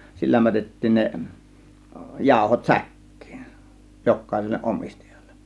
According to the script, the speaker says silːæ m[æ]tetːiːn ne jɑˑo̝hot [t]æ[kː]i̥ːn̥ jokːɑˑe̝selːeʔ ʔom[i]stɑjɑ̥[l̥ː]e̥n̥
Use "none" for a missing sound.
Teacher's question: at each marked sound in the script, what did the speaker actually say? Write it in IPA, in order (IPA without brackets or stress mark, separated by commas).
æ, s, kː, i, l̥ː